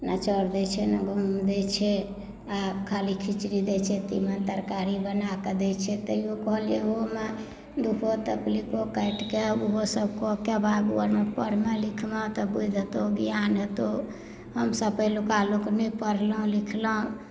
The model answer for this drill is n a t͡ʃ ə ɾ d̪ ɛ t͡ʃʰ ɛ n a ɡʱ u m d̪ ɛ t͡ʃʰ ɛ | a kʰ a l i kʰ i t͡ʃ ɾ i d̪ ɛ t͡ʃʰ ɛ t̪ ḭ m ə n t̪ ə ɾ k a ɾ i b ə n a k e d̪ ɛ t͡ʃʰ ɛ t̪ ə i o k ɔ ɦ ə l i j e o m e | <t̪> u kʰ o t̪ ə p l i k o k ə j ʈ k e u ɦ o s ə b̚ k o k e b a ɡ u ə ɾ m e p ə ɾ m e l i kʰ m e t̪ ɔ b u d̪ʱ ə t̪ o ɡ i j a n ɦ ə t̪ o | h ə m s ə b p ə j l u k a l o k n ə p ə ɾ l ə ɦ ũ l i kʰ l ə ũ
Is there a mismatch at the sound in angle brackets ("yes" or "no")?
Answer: yes